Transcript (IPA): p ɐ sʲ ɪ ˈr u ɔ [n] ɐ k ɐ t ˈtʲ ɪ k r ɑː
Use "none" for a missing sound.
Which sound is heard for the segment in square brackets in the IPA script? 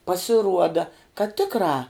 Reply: d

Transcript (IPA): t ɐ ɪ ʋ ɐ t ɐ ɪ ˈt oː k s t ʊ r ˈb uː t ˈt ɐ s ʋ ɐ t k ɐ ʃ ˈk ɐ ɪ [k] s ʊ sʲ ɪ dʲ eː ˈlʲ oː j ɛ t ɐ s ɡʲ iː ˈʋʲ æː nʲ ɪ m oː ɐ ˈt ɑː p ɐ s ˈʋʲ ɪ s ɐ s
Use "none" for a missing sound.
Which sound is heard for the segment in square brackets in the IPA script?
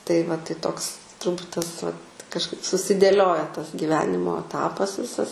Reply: p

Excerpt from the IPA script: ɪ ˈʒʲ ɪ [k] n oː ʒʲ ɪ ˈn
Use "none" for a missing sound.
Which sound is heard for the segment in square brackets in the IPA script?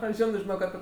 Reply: none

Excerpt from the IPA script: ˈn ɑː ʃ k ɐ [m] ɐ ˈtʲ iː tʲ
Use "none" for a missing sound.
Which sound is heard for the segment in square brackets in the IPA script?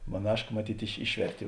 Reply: m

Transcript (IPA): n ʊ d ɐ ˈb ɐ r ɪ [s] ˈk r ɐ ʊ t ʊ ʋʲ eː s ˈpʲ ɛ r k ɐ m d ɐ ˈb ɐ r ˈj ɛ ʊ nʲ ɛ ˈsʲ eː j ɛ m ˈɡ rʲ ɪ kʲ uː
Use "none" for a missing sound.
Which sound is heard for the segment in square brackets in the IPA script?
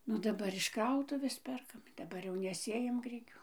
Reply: ʃ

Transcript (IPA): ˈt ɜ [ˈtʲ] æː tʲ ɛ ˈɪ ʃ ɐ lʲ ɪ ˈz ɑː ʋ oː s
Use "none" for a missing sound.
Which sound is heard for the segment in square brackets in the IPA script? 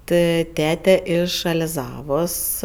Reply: tʲ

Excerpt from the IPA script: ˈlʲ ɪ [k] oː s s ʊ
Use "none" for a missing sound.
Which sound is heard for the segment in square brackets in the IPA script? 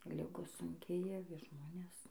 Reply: ɡ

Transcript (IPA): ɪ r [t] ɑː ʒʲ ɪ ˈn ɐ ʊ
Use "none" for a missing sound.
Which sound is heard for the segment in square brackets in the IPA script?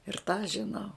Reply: t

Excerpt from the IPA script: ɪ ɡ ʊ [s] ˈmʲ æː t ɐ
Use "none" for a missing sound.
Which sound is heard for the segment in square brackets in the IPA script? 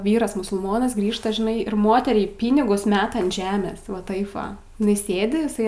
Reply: s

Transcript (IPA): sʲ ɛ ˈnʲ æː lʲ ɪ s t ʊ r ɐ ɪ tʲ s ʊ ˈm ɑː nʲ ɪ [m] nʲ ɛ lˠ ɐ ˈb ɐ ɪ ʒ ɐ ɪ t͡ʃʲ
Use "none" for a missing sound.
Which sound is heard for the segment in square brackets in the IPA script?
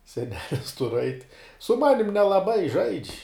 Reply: m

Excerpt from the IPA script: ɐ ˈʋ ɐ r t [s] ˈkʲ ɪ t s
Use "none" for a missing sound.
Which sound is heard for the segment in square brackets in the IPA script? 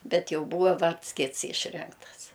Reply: s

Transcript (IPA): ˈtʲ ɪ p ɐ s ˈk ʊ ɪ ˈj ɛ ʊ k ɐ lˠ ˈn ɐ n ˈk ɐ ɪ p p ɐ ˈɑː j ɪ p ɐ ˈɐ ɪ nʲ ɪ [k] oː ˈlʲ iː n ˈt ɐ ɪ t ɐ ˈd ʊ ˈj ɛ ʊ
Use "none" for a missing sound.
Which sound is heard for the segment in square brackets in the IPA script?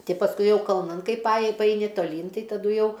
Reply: t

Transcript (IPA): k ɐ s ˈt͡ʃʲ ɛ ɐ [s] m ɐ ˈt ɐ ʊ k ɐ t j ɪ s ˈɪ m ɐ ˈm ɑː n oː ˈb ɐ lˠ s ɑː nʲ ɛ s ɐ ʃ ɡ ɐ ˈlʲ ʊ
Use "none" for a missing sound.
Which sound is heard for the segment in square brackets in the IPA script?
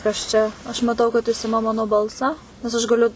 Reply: ʃ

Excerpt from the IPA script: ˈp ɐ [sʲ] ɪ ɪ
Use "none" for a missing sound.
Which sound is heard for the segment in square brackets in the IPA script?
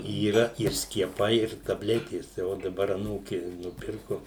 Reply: none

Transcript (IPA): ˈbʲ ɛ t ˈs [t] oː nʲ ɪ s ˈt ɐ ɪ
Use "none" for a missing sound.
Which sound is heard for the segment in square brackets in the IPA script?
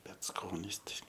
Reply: k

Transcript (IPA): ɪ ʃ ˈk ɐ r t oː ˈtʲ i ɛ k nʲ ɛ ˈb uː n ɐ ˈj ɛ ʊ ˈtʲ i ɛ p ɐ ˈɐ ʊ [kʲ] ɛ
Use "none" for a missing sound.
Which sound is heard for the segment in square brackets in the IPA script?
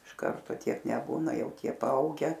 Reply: ɡʲ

